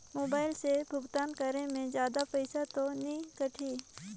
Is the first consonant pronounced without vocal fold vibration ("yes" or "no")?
no